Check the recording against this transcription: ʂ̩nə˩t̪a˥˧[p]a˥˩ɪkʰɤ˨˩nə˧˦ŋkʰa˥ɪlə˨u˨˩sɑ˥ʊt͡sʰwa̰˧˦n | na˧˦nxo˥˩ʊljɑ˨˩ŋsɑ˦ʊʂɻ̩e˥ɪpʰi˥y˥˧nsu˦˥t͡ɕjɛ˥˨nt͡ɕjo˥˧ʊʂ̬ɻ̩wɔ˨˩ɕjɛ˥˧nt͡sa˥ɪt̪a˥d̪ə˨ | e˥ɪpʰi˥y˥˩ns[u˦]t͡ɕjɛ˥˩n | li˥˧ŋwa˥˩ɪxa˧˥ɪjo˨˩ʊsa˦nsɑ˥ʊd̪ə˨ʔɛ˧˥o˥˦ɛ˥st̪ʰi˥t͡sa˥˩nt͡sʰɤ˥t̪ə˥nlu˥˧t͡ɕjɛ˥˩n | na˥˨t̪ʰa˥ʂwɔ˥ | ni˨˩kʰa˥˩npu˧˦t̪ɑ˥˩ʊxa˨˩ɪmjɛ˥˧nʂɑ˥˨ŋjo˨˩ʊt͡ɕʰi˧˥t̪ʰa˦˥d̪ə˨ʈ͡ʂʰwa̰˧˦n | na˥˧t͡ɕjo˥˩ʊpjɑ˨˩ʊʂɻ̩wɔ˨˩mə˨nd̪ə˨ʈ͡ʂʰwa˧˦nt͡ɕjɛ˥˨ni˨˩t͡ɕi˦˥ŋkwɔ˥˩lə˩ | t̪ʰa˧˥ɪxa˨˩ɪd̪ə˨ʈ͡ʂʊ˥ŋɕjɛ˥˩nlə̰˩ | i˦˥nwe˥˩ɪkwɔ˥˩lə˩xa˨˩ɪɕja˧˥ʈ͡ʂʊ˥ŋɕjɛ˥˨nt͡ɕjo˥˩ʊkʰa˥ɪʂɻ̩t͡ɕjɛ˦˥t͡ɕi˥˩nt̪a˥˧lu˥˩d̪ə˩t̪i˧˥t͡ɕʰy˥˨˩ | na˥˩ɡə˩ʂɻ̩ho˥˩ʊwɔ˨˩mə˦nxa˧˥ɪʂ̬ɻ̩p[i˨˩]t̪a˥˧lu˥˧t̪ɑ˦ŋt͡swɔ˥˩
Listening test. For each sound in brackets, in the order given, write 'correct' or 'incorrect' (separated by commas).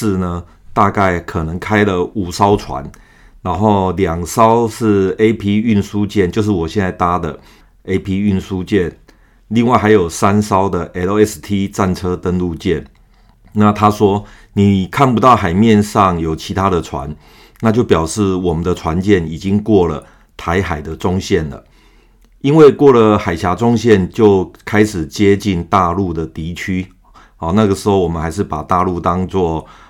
incorrect, correct, incorrect